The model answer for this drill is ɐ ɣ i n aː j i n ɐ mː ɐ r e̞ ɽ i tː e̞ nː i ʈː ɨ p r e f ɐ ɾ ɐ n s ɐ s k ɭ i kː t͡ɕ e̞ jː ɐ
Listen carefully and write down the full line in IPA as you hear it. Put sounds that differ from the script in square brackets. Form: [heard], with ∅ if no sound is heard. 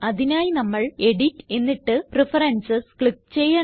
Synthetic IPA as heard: ɐ [ð] i n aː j i n ɐ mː ɐ [ɭ] e̞ ɽ i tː e̞ nː i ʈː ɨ p r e f ɐ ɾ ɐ n s ɐ s k ɭ i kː t͡ɕ e̞ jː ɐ